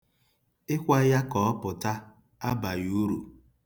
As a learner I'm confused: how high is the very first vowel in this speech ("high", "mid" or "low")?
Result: high